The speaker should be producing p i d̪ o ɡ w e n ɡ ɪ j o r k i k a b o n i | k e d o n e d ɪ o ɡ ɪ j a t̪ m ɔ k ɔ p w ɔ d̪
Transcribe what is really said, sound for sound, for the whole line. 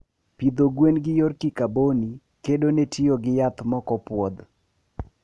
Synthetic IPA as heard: p i d̪ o ɡ w e n ɡ ɪ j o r k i k a b o n i | k e d o n e t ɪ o ɡ ɪ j a t̪ m ɔ k ɔ p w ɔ d̪